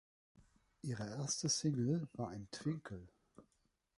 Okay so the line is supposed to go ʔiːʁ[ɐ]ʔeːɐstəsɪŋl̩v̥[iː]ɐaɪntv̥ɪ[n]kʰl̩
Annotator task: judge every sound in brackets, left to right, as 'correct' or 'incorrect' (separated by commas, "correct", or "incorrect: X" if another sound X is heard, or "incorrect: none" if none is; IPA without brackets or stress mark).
incorrect: ə, incorrect: aː, incorrect: ŋ